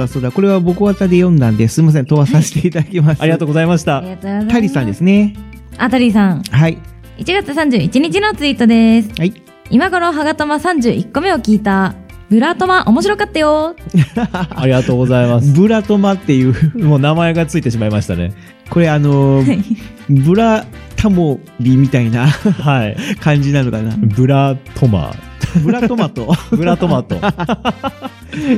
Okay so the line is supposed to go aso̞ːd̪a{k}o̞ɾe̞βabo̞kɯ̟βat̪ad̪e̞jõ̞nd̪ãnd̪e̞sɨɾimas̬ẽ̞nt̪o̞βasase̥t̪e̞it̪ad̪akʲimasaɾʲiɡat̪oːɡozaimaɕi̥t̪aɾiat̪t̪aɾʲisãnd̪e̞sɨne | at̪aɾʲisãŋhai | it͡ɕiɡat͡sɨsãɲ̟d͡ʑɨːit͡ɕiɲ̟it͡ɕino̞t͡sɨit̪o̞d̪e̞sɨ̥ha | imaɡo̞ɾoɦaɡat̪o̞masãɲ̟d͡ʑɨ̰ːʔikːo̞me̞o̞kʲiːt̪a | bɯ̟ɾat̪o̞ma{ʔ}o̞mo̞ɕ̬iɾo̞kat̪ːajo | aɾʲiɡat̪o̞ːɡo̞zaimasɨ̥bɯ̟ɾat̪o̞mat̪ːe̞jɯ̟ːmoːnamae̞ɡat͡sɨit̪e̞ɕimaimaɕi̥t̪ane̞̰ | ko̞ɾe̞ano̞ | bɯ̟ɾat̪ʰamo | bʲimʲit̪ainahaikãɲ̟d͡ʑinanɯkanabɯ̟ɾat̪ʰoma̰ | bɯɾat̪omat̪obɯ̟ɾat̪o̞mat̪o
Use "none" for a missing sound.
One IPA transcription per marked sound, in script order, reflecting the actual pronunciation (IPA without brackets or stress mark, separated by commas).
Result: k, ʔ